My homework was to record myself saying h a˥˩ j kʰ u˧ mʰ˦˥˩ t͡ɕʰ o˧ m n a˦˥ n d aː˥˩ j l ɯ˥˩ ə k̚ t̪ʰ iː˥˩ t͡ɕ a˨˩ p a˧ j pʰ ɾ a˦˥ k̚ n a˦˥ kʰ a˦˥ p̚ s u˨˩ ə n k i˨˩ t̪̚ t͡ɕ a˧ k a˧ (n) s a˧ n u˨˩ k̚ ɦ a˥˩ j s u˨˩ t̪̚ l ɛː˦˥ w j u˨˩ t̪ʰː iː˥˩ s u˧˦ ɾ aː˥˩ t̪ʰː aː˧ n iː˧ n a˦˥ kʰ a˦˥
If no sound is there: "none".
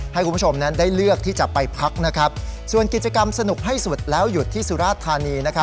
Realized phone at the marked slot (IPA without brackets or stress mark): m